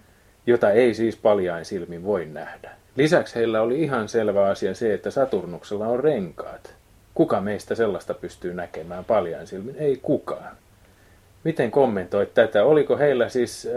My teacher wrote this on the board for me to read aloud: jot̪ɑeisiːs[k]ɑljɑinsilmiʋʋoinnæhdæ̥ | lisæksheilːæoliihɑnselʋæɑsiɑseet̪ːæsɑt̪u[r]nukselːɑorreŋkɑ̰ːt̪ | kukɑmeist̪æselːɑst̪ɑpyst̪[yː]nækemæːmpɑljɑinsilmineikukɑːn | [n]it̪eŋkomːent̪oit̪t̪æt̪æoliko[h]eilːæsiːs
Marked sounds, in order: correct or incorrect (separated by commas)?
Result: incorrect, correct, correct, incorrect, correct